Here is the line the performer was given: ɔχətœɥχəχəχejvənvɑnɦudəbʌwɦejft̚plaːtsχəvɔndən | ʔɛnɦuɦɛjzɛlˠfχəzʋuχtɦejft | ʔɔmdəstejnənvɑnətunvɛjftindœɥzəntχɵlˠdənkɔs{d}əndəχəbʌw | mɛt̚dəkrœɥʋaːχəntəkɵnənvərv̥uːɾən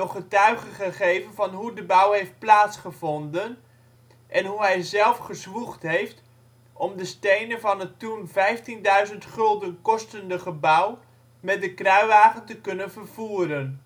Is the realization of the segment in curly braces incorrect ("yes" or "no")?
yes